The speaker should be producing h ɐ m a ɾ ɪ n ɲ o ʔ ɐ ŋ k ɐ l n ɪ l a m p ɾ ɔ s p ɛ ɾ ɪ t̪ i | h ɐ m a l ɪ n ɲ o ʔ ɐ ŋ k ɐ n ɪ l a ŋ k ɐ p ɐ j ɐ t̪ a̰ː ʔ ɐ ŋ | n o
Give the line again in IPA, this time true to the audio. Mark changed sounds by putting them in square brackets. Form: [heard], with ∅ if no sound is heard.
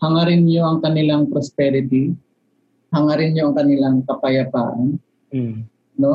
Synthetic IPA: h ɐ [ŋ] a ɾ ɪ n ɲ o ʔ ɐ ŋ k ɐ [∅] n ɪ l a [ŋ] p ɾ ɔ s p ɛ ɾ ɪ t̪ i | h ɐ [ŋ] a [ɾ] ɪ n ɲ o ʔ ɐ ŋ k ɐ n ɪ l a ŋ k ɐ p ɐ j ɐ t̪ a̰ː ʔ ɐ [n] | n o